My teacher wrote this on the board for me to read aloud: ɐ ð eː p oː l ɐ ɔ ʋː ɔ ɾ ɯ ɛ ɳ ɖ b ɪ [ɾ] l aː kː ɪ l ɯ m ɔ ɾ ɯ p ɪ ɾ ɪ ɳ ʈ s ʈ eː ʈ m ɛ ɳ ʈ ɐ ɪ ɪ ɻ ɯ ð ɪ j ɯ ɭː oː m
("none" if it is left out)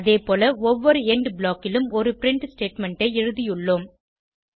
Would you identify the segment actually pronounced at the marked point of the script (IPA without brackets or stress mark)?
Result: none